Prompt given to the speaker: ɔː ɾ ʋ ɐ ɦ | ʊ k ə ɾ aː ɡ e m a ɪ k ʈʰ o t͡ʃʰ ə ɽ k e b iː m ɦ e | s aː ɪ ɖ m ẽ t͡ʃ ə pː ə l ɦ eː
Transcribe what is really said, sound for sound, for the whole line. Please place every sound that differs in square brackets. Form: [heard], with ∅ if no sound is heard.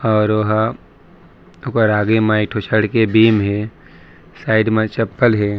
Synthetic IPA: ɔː ɾ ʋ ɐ ɦ | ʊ k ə ɾ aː ɡ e m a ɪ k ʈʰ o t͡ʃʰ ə ɽ k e b iː m ɦ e | s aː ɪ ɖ m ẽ t͡ʃ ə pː ə l ɦ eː